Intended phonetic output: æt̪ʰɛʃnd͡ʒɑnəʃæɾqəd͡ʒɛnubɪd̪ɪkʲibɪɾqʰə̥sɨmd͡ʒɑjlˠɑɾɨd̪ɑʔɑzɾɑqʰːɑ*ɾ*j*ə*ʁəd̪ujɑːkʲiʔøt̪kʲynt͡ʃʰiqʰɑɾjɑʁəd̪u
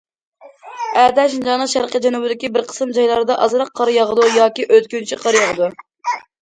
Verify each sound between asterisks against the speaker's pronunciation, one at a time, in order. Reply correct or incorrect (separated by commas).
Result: correct, incorrect